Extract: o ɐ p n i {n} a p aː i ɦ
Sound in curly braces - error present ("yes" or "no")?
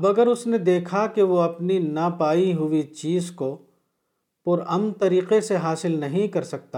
no